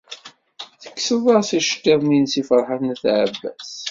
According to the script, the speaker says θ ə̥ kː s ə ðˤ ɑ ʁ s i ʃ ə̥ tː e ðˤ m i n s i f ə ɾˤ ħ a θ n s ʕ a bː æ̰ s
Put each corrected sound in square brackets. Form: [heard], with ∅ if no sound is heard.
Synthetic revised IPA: θ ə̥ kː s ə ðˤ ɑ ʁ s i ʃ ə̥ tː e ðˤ m i n s i f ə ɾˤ ħ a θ n [θ] ʕ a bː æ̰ s